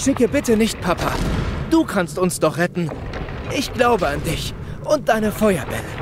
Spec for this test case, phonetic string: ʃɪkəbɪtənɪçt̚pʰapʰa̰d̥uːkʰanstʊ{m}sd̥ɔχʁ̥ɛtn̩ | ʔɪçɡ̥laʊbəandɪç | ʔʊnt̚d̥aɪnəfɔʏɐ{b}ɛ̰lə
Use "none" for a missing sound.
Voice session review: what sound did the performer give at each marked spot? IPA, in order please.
n, b

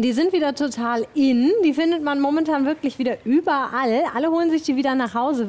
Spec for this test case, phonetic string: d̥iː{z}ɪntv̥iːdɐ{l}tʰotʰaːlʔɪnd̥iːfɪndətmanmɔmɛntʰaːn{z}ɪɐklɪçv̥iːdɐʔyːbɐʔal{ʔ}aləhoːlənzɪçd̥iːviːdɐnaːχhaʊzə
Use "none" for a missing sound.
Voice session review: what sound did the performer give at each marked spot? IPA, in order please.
z, none, v, ʔ

